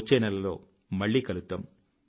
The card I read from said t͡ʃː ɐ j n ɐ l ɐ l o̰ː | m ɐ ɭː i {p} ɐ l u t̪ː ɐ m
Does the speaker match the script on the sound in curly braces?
no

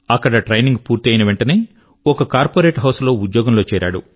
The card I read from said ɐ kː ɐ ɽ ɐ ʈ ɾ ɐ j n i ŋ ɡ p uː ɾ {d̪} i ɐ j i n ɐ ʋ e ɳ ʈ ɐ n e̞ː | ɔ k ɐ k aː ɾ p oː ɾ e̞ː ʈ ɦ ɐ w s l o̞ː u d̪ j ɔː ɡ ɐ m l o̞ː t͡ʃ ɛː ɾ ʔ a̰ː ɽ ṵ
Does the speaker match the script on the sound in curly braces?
no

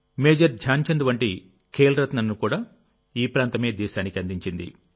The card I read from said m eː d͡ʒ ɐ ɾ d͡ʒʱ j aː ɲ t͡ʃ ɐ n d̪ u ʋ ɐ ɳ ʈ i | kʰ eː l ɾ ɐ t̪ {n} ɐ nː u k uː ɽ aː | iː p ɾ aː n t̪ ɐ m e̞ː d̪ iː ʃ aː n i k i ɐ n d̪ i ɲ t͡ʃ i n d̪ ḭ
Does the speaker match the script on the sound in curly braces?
yes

